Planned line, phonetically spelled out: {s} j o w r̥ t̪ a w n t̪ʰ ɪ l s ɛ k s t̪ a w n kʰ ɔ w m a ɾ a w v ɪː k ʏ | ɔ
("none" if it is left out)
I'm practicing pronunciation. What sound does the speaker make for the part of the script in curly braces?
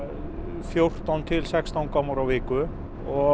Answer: f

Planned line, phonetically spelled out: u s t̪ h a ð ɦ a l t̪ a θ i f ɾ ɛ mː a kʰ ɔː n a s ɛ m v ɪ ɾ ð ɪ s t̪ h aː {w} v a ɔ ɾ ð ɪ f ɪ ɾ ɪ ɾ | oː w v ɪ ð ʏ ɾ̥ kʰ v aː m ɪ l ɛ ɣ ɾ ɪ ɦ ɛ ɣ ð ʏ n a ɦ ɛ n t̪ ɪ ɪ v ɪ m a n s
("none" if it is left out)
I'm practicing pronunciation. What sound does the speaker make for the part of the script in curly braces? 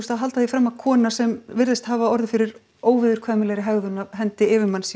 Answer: none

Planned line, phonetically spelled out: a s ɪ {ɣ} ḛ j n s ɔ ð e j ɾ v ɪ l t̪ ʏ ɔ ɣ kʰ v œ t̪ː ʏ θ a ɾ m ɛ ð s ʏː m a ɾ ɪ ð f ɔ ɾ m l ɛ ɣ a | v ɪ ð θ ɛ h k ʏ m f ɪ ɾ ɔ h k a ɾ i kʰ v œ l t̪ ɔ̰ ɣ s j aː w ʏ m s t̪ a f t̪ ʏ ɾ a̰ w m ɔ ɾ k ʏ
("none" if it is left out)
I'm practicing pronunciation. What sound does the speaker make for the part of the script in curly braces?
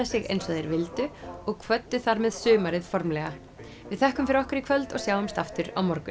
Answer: ɣ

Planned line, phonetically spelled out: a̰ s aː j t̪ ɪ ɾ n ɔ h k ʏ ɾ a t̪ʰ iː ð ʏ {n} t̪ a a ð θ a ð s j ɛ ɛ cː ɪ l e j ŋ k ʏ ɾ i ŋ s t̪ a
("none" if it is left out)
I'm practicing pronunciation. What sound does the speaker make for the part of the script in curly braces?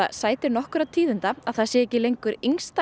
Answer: n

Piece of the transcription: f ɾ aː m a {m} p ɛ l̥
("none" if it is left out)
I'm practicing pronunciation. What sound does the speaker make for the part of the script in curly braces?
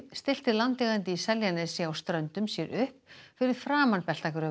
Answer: n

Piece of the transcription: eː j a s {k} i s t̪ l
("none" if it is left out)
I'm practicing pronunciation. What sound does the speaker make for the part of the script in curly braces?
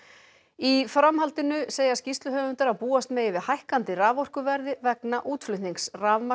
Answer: c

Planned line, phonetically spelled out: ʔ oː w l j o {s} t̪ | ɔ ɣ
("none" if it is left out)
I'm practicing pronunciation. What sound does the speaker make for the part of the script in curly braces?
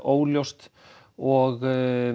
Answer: s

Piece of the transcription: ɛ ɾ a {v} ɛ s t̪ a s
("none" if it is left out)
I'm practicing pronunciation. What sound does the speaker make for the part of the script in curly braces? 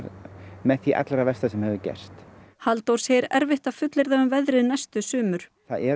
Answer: v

